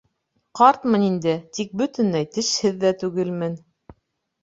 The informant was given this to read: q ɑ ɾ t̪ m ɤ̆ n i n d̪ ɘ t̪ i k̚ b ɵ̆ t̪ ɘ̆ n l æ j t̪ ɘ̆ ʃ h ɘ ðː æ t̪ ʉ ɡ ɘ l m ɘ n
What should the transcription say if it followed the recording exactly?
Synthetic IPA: q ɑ ɾ t̪ m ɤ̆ n i n d̪ ɘ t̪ i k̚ b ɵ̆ t̪ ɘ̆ n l æ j t̪ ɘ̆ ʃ h ɘ ðː æ t̪ ʉ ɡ ɘ l m ɘ n